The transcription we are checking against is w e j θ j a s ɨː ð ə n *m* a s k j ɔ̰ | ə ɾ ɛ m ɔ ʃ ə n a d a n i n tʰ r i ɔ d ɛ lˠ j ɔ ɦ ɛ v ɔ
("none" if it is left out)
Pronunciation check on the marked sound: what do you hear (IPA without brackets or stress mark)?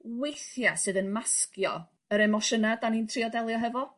m